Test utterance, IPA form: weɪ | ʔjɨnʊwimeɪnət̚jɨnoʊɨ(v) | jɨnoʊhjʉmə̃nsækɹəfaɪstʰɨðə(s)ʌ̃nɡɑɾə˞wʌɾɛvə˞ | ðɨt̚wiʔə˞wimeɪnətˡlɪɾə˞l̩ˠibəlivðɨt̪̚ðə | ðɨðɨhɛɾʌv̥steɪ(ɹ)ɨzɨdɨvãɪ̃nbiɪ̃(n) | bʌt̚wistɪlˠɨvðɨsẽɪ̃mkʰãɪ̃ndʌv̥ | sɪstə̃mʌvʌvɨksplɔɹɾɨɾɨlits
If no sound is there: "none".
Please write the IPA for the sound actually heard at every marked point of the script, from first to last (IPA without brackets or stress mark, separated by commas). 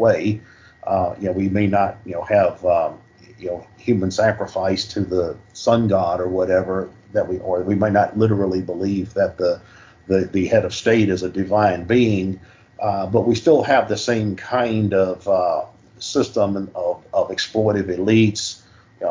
v, s, ɾ, ŋ